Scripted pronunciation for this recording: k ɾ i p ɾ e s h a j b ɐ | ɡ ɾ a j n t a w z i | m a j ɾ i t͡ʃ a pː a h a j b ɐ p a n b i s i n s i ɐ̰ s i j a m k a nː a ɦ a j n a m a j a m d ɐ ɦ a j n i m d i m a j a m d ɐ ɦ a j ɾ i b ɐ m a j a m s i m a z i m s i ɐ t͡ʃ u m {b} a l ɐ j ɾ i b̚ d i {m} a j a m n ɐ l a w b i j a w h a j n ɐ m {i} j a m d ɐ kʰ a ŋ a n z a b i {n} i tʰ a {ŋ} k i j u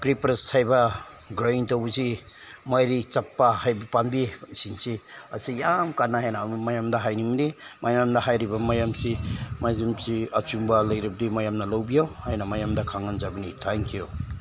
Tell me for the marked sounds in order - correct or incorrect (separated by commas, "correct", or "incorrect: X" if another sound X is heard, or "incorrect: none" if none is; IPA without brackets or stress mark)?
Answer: correct, correct, incorrect: a, correct, correct